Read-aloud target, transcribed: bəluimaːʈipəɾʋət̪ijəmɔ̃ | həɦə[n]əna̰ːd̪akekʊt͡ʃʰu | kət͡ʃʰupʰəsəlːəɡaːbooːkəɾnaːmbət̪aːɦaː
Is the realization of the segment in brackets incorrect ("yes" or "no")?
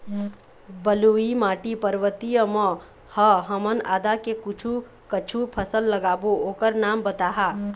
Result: yes